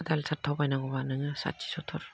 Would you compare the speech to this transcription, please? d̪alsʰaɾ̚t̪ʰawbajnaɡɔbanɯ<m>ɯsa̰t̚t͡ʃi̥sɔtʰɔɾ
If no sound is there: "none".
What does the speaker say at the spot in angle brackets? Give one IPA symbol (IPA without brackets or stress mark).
ŋ